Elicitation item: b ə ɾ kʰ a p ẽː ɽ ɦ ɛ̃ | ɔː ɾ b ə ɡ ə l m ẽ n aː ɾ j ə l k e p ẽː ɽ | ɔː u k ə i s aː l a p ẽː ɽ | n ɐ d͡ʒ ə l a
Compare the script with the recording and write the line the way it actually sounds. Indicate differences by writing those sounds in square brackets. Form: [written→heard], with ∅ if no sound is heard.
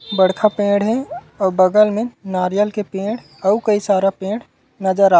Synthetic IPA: b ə [ɾ→ɽ] kʰ a p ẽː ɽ ɦ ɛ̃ | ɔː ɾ b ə ɡ ə l m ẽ n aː ɾ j ə l k e p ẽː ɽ | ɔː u k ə i s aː [l→ɾ] a p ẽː ɽ | n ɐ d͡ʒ ə [l→ɾ] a